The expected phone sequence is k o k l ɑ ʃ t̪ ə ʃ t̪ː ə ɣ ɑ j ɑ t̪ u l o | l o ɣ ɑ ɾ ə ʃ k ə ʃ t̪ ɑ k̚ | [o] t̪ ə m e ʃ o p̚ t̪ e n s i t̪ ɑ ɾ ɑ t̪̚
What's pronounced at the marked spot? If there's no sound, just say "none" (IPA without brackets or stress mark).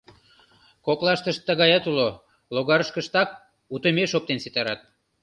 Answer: u